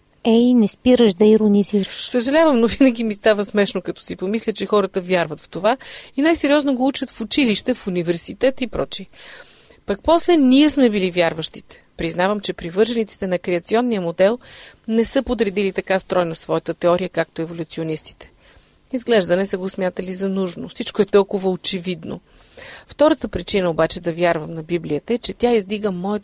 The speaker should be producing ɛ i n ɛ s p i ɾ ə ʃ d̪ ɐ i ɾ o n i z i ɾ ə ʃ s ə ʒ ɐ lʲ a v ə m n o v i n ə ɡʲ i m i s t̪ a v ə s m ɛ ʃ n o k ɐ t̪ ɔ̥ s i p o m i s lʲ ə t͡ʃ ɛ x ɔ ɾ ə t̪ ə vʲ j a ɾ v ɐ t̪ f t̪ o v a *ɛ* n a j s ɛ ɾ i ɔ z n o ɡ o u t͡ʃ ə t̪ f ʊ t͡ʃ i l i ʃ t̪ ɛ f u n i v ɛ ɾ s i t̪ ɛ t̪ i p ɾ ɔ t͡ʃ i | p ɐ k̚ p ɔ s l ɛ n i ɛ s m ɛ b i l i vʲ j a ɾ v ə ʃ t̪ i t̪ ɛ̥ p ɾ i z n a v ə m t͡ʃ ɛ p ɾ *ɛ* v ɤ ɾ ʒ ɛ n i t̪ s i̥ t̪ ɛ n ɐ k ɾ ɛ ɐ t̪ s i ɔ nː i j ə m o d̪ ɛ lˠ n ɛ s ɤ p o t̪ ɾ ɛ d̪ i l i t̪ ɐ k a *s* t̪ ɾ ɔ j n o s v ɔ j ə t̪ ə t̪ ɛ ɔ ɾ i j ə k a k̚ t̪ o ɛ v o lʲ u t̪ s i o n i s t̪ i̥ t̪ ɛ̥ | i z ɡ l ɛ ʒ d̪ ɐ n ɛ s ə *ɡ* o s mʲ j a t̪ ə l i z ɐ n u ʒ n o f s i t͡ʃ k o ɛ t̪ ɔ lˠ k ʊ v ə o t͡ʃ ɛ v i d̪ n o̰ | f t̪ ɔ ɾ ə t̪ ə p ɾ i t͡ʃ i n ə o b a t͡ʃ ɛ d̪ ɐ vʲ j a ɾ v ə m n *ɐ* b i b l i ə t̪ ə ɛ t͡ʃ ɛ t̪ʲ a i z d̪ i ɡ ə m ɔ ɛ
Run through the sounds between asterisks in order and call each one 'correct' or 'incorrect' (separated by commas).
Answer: incorrect, incorrect, correct, correct, correct